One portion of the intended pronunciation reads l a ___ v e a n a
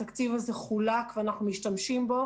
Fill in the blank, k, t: k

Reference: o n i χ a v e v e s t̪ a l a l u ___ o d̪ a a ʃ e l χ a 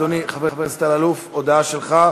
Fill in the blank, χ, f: f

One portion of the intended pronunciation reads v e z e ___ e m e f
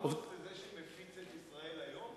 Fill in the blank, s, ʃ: ʃ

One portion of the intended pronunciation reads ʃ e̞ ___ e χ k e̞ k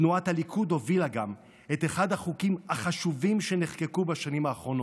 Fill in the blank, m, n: n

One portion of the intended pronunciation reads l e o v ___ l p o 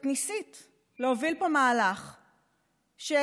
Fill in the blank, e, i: i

